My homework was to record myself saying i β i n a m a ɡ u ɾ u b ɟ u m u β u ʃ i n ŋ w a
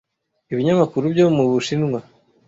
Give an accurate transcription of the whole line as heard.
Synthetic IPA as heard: i β i ɲ a m a k u ɾ u b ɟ o m u β u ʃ i n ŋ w a